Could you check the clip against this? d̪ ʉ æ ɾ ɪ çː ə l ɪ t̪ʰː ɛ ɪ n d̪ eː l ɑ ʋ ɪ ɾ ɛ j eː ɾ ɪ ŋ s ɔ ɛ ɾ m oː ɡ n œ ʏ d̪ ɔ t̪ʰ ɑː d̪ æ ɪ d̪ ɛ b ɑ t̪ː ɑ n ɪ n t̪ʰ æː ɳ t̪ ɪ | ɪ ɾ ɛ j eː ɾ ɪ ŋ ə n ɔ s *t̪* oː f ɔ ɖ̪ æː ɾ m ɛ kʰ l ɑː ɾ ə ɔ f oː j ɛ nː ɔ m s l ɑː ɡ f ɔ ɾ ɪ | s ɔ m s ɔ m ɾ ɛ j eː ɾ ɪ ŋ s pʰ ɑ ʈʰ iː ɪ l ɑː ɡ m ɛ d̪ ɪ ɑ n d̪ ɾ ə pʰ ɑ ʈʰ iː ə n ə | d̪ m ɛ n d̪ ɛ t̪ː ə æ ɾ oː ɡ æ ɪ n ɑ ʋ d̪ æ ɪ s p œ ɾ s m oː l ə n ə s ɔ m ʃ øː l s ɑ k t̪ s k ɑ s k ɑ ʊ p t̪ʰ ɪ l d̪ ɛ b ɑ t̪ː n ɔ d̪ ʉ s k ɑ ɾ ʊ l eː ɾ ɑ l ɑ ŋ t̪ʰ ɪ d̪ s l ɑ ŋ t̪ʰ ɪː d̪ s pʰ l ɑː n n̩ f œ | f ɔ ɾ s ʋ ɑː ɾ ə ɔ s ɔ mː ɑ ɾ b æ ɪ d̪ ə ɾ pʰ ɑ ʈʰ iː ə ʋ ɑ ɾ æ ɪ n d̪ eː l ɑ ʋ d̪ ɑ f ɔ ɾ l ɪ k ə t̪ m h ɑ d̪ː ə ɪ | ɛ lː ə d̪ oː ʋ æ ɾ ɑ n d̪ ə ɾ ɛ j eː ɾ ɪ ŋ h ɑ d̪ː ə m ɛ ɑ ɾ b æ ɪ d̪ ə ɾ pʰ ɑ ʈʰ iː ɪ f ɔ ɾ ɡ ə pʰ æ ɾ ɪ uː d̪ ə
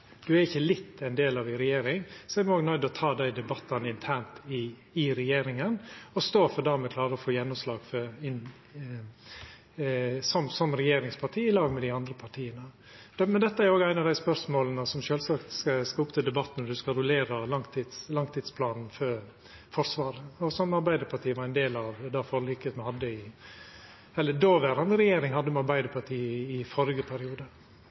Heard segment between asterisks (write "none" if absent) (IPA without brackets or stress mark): t̪